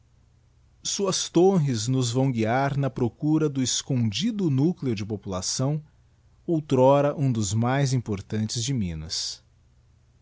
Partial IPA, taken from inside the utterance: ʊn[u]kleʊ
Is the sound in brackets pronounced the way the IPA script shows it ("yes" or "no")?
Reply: yes